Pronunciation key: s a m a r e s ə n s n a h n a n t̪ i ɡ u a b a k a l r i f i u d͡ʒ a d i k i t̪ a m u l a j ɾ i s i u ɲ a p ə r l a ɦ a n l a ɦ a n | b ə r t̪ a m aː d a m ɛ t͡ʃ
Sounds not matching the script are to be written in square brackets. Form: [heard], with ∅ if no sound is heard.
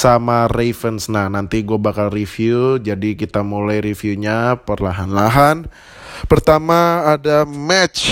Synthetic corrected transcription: s a m a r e [f] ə n s n a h n a n t̪ i ɡ u a b a k a l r i f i u d͡ʒ a d i k i t̪ a m u l a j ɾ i [f] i u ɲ a p ə r l a ɦ a n l a ɦ a n | [p] ə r t̪ a m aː d a m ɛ t͡ʃ